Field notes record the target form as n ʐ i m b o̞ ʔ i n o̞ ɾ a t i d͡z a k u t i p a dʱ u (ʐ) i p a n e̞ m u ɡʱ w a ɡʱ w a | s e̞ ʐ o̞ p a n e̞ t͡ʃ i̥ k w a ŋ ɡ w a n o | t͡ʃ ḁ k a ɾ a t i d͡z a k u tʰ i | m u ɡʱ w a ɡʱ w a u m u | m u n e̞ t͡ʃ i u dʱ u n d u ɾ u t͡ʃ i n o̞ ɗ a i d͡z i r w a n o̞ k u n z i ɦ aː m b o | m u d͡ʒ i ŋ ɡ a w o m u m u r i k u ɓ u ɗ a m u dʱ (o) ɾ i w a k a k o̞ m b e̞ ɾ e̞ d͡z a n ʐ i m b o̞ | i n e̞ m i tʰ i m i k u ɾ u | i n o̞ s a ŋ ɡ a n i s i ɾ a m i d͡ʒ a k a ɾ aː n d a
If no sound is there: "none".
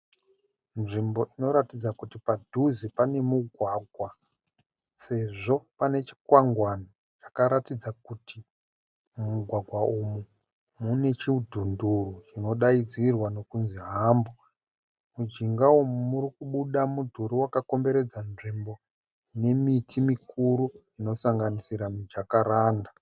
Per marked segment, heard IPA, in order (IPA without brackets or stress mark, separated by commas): z, u